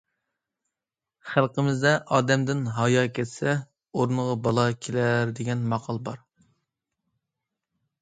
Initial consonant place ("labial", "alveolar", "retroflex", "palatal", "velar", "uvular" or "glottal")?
uvular